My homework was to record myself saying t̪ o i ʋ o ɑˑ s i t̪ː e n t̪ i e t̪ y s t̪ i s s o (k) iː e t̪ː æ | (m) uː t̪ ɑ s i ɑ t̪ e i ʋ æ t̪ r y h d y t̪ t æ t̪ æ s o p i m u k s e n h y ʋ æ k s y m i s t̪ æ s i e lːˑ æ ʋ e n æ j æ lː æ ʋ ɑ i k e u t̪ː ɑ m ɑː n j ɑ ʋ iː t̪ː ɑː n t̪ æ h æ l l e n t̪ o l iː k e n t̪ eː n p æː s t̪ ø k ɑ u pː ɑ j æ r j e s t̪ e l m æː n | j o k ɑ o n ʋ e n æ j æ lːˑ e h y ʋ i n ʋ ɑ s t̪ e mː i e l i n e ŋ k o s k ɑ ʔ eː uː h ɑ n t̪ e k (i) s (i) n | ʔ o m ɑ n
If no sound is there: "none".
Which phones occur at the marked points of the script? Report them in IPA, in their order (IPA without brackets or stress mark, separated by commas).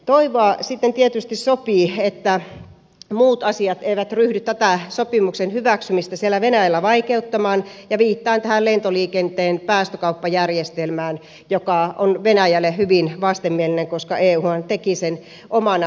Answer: p, m, i, e